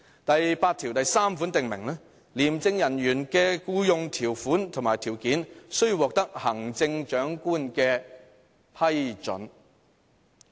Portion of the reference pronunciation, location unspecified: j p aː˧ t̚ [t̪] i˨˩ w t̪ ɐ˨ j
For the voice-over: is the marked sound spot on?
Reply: no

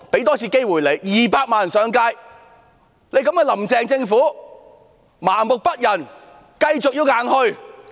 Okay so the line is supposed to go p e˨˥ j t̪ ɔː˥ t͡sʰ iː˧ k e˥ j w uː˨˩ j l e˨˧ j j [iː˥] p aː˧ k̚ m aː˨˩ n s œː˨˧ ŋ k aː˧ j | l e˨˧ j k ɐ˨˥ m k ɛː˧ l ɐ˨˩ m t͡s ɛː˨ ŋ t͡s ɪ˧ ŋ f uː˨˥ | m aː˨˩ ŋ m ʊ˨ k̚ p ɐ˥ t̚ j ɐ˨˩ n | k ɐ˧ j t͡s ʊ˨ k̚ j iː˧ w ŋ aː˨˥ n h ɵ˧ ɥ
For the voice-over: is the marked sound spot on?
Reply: no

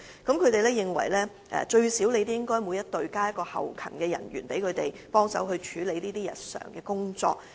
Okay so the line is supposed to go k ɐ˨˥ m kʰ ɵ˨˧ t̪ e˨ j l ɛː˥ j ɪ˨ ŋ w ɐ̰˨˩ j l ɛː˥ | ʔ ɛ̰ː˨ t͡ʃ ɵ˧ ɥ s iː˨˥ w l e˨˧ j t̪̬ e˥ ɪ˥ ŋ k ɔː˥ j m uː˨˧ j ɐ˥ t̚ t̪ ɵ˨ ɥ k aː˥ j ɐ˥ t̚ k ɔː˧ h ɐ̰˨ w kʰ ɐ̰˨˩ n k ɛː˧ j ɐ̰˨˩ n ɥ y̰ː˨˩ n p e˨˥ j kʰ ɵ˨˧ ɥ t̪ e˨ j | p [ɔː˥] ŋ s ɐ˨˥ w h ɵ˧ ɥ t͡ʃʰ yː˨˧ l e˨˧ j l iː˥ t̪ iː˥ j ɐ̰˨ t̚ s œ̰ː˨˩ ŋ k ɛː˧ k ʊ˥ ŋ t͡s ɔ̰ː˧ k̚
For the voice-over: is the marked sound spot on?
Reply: yes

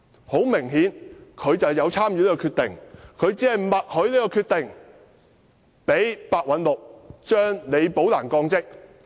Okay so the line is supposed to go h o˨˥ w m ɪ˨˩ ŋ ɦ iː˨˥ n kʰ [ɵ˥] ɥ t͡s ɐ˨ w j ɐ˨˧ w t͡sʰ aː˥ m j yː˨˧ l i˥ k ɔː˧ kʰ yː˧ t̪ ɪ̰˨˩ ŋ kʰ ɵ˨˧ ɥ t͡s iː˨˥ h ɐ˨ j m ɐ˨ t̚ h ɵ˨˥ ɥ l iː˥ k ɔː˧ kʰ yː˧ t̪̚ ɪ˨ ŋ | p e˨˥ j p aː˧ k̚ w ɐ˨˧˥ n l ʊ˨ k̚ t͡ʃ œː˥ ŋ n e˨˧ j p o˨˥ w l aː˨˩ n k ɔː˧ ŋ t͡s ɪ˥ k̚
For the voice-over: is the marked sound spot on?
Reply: no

